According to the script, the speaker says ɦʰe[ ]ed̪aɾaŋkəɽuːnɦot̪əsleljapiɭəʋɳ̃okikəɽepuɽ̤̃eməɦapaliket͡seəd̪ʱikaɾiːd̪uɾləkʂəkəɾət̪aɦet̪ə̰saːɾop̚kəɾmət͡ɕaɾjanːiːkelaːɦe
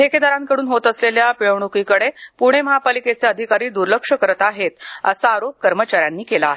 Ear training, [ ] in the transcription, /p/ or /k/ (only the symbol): k